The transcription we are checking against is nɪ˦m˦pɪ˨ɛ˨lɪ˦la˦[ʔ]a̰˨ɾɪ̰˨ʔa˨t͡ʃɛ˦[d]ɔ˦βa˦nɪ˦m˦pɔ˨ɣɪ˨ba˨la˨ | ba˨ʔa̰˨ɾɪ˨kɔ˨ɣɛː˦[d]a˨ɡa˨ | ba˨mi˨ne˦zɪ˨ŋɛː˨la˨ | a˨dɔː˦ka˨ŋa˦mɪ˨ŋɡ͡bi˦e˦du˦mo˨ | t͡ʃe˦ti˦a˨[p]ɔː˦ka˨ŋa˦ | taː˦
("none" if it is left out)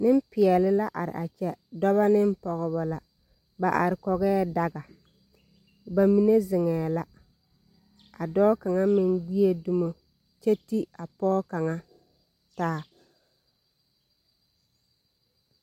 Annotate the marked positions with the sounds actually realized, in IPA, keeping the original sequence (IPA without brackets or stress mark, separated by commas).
ʔ, d, d, p